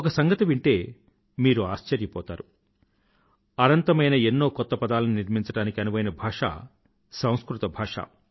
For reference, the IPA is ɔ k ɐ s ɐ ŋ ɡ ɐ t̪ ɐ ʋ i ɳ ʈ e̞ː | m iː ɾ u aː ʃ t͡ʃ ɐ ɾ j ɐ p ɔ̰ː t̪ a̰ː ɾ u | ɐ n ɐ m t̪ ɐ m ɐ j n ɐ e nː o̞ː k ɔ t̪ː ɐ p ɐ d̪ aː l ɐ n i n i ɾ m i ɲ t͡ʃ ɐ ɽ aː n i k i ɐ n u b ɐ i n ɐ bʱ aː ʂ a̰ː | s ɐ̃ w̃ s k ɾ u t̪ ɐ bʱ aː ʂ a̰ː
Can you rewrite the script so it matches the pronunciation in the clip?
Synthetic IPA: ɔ k ɐ s ɐ ŋ ɡ ɐ t̪ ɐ ʋ i ɳ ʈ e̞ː | m iː ɾ u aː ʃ t͡ʃ ɐ ɾ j ɐ p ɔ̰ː t̪ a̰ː ɾ u | ɐ n ɐ n t̪ ɐ m ɐ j n ɐ e nː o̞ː k ɔ t̪ː ɐ p ɐ d̪ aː l ɐ n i n i ɾ m i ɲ t͡ʃ ɐ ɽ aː n i k i ɐ n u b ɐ j n ɐ bʱ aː ʂ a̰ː | s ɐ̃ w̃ s k ɾ u t̪ ɐ bʱ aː ʂ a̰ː